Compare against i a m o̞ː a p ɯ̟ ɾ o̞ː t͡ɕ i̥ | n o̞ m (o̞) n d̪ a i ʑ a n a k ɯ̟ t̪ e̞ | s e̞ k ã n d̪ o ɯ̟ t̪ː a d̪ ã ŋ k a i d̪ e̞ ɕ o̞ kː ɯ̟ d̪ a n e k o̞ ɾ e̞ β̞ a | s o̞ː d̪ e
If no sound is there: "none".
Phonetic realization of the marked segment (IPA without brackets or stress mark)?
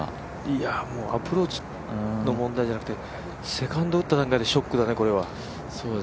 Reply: õ̞